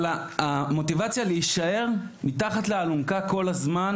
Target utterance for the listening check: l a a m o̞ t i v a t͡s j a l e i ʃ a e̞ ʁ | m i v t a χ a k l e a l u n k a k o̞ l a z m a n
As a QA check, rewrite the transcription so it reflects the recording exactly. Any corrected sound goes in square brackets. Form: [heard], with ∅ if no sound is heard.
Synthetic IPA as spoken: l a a m o̞ t i v a t͡s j a l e i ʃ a e̞ ʁ | m i [∅] t a χ a [t] l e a l u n k a k o̞ l a z m a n